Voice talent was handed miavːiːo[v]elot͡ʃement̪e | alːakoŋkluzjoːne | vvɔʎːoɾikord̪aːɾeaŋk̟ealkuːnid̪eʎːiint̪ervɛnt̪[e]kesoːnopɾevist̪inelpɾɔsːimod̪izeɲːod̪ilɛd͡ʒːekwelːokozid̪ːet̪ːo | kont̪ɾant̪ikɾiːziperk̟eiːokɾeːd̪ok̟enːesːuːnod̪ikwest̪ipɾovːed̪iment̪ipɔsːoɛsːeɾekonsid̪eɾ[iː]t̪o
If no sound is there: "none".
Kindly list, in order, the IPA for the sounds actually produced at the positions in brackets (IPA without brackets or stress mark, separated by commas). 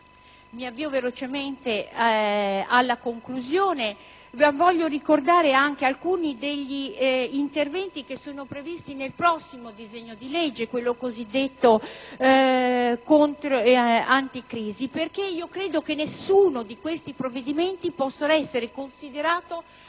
v, i, aː